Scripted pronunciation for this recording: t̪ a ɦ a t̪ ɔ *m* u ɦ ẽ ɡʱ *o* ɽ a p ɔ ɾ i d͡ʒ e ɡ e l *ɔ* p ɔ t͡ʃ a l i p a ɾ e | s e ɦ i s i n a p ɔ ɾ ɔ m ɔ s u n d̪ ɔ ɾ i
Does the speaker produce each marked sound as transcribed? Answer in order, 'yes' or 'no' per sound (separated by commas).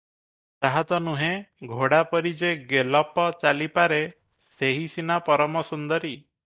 no, yes, yes